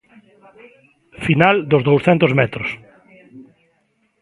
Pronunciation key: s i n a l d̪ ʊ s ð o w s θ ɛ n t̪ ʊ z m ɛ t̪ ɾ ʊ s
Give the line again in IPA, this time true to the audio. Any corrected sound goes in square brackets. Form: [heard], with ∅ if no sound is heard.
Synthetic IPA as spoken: [f] i n a l d̪ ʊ [z] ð o w s θ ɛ n t̪ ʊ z m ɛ t̪ ɾ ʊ s